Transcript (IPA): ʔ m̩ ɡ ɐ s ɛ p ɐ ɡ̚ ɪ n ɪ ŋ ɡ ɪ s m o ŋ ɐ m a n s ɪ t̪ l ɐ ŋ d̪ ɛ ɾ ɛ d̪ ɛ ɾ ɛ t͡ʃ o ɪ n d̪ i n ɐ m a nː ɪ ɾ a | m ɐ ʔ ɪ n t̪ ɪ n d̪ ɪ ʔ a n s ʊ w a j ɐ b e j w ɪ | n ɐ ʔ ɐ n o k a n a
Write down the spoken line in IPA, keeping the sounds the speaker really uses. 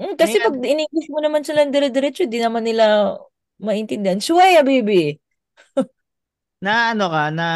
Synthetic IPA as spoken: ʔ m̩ k ɐ s ɛ p ɐ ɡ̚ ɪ n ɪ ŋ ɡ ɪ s m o n ɐ m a n s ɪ l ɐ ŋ d̪ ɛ ɾ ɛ d̪ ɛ ɾ ɛ t͡ʃ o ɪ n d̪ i n ɐ m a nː ɪ l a | m ɐ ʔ ɪ n t̪ ɪ n d̪ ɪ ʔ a n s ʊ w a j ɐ b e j b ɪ | n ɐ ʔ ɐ n o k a n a